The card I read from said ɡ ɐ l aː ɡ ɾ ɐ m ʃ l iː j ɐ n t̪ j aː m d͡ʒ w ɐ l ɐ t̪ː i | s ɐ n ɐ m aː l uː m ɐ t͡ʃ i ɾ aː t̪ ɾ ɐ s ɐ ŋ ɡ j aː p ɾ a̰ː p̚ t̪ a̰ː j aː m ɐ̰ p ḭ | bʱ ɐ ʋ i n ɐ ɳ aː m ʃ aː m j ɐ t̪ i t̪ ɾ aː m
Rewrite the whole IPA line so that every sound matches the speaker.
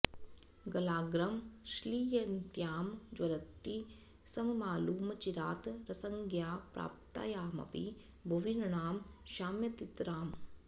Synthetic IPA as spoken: ɡ ɐ l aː ɡ ɾ ɐ m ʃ l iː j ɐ n t̪ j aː m d͡ʒ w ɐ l ɐ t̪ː i | s ɐ m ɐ m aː l uː m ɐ t͡ʃ i ɾ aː t̪ ɾ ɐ s ɐ ŋ ɡ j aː p ɾ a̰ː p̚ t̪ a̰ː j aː m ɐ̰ p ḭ | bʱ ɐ ʋ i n ɐ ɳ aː m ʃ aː m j ɐ t̪ i t̪ ɾ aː m